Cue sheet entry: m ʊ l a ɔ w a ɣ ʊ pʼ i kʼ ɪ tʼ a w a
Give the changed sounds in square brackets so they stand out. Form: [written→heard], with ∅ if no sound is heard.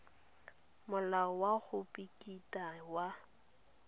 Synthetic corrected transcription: m ʊ l a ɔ w a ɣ ʊ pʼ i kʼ [ɪ→i] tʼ a w a

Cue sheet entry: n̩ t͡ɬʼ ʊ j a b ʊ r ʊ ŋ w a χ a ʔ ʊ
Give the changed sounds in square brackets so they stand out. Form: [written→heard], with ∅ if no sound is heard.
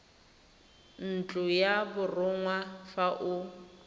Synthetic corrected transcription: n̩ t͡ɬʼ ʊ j a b ʊ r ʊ ŋ w a [χ→f] a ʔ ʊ

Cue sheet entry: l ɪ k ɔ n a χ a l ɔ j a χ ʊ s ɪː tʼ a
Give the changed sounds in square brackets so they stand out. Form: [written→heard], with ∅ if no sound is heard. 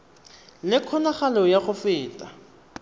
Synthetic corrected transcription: l ɪ [k→kʰ] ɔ n a χ a l ɔ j a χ ʊ [s→f] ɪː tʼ a

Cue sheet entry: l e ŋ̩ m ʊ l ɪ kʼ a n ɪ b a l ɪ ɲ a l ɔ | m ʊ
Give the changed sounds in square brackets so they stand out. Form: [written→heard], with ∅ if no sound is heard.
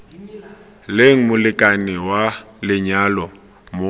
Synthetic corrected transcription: l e ŋ̩ m ʊ l ɪ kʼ a n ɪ [b→w] a l ɪ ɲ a l ɔ | m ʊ

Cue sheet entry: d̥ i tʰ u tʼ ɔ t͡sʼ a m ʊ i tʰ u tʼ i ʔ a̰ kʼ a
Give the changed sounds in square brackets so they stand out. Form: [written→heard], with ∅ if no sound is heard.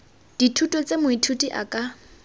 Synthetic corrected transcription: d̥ i tʰ u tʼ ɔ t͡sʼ [a→e] m ʊ i tʰ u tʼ i ʔ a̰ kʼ a

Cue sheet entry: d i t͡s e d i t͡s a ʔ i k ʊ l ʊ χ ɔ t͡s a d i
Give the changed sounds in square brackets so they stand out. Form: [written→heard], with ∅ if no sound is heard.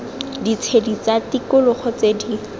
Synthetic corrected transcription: d i [t͡s→t͡sʰ] e d i t͡s a [ʔ→t] i k ʊ l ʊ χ ɔ t͡s [a→e] d i

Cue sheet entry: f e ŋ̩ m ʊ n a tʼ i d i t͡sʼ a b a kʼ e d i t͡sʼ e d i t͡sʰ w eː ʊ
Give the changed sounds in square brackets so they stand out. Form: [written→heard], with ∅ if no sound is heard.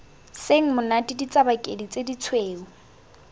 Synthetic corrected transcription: [f→s] e ŋ̩ m ʊ n a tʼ i d i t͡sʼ a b a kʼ e d i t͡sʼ e d i t͡sʰ w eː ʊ

